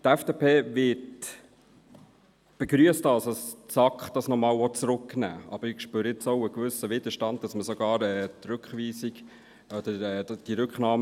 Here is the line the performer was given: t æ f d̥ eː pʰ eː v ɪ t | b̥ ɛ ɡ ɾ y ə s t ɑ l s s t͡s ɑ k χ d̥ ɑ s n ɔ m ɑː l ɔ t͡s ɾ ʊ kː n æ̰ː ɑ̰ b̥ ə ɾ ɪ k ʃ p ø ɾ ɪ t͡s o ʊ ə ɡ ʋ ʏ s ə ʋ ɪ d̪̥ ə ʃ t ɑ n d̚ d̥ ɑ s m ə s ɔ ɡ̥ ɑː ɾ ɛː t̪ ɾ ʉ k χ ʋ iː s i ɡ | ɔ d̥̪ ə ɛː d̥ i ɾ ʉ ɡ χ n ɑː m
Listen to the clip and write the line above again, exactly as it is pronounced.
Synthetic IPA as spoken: t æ f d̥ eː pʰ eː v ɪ t | b̥ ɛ ɡ ɾ y ə s t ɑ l s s t͡s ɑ k χ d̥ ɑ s n ɔ m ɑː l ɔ t͡s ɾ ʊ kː n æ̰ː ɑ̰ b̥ ə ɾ ɪ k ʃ p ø ɾ ɪ t͡s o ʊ ə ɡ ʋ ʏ s ə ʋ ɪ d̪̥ ə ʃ t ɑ n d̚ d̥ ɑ s m ə s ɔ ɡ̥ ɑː ɾ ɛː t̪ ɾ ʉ k χ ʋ iː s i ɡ | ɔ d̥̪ ə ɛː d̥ i ɾ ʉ k χ n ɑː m